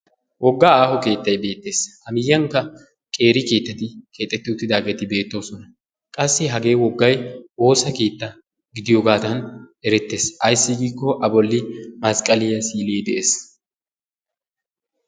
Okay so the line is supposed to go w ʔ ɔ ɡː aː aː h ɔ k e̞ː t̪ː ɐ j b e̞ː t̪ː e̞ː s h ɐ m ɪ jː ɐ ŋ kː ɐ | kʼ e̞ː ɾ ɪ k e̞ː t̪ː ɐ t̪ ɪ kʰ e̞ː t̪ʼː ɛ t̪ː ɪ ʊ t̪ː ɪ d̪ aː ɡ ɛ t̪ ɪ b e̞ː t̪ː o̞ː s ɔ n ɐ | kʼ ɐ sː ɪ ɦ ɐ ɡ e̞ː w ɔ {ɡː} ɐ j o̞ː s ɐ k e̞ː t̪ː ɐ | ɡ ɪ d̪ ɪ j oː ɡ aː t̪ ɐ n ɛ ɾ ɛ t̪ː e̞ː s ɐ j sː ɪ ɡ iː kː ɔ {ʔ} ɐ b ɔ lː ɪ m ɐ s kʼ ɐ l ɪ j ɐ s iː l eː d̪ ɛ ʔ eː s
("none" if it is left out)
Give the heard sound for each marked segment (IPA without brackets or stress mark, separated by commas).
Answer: ɡː, ʔ